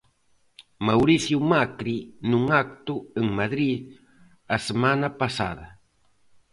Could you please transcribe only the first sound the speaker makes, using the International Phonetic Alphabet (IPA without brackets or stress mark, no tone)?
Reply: m